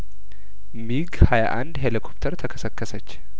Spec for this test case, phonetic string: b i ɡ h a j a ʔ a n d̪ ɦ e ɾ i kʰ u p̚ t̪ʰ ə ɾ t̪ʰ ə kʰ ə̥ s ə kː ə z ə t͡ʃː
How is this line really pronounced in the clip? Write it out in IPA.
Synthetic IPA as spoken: m i ɡ h a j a ʔ a n d̪ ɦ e l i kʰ o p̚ t̪ʰ ə ɾ t̪ʰ ə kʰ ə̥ s ə kː ə s ə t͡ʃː